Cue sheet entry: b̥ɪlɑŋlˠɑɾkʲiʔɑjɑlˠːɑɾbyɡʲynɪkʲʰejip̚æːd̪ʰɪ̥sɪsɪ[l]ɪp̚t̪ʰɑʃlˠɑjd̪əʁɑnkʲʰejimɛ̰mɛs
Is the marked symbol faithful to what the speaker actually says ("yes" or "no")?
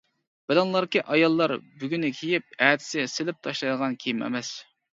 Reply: yes